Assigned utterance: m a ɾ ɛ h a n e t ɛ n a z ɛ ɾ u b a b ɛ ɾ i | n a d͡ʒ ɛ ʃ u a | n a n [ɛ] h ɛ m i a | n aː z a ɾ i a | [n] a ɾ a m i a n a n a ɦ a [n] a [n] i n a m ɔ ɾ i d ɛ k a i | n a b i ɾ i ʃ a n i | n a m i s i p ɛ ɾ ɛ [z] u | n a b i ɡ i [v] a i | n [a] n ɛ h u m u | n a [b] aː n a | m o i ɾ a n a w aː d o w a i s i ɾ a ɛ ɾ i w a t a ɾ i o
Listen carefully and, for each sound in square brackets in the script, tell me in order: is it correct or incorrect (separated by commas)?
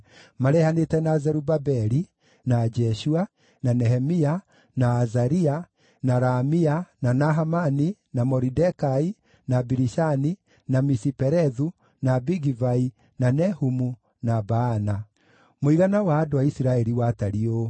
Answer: correct, correct, incorrect, correct, incorrect, correct, correct, correct